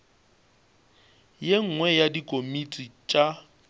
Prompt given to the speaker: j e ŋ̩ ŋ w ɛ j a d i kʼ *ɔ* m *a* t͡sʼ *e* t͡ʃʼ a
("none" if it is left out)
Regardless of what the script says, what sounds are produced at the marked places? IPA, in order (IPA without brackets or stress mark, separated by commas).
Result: o, i, i